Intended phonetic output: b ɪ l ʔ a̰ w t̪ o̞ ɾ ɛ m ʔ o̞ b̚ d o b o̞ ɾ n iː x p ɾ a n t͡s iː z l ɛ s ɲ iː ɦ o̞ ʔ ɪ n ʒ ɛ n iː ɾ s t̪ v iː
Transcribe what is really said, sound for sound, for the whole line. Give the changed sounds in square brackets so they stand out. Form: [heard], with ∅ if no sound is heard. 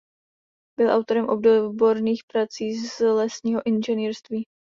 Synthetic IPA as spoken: b ɪ l ʔ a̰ w t̪ o̞ ɾ ɛ m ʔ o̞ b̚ d o b o̞ ɾ n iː x p ɾ a [∅] t͡s iː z l ɛ s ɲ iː ɦ o̞ ʔ ɪ n ʒ ɛ n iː ɾ s t̪ v iː